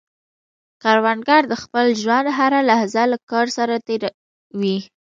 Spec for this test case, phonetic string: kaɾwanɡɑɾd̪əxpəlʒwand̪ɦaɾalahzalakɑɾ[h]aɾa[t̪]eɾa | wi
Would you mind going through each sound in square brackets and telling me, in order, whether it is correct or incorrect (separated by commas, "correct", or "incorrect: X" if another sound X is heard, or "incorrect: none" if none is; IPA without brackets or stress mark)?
incorrect: s, correct